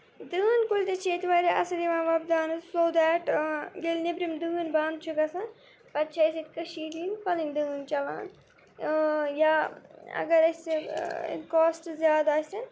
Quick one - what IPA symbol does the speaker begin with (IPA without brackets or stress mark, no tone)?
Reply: d̪